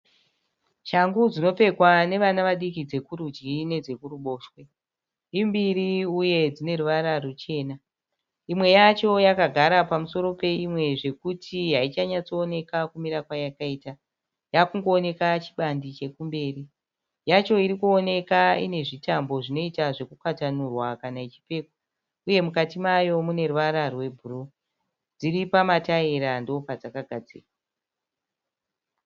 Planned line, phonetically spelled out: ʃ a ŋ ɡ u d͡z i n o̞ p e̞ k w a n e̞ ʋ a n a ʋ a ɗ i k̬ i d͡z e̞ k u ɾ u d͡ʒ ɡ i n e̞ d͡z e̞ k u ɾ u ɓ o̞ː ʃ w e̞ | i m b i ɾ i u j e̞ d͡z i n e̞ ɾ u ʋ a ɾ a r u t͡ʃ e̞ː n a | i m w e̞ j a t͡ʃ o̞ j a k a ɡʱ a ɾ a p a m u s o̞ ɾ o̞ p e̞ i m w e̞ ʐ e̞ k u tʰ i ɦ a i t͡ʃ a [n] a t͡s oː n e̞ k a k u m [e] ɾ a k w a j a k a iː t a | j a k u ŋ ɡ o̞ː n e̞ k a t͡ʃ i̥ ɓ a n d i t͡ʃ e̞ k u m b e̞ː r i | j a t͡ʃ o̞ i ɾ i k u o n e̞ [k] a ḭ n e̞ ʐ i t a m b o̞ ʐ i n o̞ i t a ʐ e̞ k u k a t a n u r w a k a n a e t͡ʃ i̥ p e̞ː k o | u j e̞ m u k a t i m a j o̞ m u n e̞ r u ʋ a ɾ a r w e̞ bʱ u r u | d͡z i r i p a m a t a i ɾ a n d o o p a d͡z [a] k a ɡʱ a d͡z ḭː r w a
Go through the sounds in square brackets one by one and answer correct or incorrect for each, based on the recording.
incorrect: ɲ, incorrect: i, correct, correct

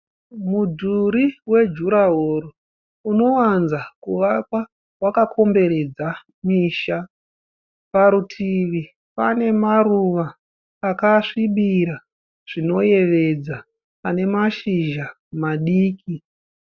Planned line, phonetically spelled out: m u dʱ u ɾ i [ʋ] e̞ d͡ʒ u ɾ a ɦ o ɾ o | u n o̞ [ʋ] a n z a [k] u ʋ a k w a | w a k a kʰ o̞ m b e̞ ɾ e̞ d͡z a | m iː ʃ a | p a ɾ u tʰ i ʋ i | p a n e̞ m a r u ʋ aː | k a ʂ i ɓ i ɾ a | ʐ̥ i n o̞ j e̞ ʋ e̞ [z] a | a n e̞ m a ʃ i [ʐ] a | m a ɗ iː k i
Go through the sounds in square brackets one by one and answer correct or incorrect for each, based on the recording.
incorrect: w, incorrect: w, correct, incorrect: d͡z, incorrect: ʒ

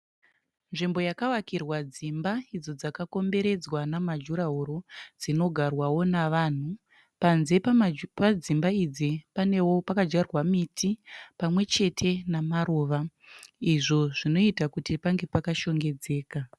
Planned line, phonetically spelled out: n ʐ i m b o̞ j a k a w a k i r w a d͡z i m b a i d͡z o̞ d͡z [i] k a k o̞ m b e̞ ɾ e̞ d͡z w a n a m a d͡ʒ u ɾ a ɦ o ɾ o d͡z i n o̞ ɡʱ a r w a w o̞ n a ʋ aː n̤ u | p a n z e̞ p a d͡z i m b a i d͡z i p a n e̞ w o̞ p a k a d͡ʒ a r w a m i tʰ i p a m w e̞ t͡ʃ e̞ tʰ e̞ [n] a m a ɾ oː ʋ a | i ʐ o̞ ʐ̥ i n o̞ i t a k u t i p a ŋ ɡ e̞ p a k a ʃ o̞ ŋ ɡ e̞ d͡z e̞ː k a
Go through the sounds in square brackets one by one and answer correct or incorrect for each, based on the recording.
incorrect: a, correct

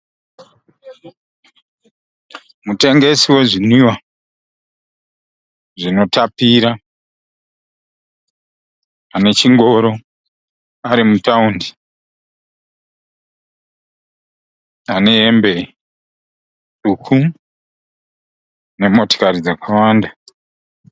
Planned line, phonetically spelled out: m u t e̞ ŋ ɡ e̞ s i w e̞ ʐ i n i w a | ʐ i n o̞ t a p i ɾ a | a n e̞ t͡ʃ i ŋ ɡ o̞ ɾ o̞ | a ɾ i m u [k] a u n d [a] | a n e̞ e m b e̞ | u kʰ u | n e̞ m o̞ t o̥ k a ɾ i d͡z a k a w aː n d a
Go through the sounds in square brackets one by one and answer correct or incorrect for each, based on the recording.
incorrect: t, incorrect: i

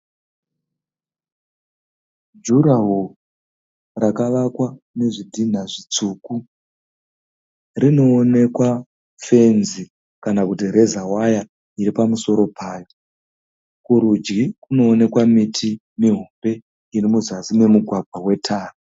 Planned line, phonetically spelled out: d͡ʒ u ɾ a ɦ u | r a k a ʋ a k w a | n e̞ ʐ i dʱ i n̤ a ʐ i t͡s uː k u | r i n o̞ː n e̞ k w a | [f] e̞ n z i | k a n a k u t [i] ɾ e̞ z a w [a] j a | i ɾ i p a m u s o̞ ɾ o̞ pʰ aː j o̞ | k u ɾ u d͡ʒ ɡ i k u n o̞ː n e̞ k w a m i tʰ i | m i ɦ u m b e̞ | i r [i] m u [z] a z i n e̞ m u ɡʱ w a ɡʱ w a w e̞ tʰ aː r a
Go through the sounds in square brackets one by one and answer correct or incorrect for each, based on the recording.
correct, correct, correct, correct, correct

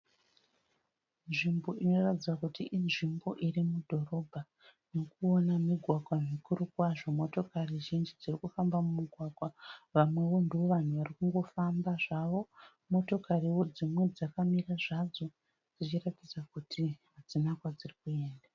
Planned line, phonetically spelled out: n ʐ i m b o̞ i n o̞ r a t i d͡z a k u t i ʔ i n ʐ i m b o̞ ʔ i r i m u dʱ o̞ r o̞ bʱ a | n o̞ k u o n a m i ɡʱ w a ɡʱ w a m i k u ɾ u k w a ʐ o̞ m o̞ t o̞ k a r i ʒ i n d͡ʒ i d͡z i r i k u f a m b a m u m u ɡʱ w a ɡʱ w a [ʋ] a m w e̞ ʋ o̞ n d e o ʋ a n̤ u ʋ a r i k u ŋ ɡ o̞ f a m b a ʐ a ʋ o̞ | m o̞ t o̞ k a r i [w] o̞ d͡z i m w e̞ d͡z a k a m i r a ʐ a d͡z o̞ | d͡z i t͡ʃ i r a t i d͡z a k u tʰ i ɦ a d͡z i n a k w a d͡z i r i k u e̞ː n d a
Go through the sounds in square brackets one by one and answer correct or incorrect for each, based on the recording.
correct, correct

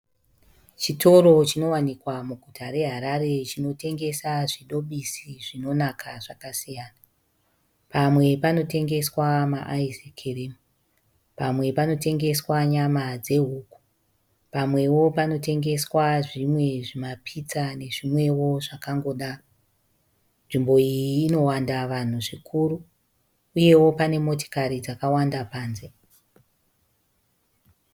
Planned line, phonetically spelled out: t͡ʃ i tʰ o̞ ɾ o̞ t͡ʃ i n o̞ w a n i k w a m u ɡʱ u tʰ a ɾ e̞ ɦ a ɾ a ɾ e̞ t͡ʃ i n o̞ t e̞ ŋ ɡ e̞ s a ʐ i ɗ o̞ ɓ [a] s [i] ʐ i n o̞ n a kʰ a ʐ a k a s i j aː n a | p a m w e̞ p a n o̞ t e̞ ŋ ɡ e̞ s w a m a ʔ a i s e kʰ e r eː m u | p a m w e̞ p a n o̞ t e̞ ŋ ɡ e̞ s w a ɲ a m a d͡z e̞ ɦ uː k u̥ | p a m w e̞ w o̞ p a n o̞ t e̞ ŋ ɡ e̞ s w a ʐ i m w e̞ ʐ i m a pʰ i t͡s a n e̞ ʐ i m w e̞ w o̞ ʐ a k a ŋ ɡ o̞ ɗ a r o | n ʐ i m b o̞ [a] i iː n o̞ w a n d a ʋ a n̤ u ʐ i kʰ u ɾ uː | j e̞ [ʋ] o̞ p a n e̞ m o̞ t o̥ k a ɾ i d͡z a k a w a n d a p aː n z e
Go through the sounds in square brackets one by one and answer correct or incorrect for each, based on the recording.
incorrect: i, correct, incorrect: i, incorrect: w

